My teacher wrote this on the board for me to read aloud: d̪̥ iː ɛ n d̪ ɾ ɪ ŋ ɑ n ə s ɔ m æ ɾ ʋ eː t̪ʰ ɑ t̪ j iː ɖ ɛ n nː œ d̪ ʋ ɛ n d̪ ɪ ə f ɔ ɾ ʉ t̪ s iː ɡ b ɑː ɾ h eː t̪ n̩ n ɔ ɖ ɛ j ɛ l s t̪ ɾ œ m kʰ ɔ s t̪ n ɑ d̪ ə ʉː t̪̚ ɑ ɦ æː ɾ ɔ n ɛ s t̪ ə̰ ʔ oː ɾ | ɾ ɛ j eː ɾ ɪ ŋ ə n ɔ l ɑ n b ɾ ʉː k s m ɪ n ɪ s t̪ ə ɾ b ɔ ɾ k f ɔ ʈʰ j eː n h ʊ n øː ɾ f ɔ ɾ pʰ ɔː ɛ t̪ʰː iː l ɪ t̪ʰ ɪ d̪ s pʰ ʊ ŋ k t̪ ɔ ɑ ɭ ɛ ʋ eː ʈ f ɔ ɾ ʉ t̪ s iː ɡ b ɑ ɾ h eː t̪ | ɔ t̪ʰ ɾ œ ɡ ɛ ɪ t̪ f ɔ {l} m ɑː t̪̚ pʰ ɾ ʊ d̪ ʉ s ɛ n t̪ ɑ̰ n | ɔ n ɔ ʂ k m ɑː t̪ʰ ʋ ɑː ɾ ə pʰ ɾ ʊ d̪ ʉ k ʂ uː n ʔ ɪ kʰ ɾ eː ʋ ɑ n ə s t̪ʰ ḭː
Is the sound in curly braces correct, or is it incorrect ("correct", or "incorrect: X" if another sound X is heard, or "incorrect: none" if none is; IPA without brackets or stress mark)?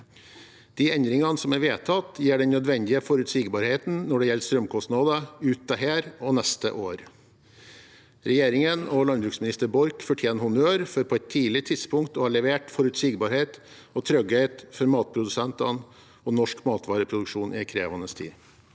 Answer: incorrect: ɾ